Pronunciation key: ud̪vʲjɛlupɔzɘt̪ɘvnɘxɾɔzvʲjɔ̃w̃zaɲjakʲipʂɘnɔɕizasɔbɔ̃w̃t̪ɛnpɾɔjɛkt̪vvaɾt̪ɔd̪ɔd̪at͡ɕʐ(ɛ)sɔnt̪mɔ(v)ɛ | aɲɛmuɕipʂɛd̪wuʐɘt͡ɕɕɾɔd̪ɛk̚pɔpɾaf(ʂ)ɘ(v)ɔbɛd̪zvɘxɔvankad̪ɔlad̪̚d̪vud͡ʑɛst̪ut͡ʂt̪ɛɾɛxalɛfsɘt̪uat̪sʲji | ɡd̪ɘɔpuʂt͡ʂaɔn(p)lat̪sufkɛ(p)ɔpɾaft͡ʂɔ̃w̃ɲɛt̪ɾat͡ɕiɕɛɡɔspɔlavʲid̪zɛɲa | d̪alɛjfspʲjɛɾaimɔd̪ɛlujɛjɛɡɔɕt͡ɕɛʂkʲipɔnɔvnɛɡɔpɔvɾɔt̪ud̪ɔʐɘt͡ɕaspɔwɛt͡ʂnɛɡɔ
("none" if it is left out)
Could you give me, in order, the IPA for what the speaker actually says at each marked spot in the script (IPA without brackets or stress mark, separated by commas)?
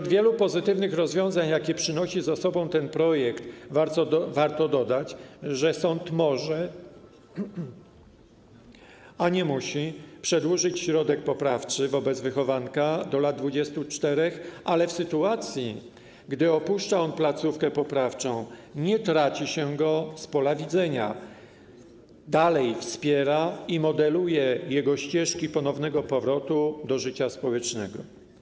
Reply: ɛ, ʐ, t͡ʂ, v, p, p